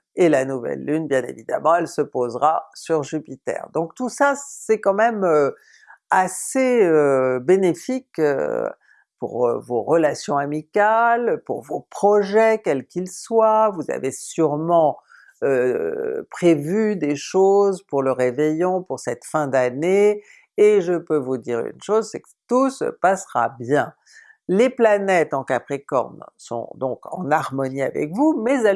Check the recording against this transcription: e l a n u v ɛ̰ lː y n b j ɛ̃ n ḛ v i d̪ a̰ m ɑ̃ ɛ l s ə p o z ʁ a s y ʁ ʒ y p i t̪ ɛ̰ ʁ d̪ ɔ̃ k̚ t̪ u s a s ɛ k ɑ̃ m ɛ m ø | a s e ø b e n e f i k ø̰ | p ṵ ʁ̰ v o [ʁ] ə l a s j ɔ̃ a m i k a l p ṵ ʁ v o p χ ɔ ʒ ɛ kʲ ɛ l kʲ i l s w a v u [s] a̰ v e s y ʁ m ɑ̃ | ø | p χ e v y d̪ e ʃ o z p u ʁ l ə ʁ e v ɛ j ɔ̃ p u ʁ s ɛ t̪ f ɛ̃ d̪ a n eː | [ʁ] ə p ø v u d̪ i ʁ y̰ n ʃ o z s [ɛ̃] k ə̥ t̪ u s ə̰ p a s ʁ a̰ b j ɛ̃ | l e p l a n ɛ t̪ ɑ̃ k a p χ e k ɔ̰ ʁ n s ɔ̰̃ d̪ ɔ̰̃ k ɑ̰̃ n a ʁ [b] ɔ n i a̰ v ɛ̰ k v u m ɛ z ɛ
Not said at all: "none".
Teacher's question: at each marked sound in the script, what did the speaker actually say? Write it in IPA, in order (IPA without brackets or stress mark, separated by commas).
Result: ʁ, z, ʒ, ɛ, m